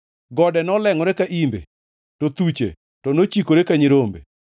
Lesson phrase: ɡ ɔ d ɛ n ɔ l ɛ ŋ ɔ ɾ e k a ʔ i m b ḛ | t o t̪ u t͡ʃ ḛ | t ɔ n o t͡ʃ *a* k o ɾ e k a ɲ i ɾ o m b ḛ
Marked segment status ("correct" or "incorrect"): incorrect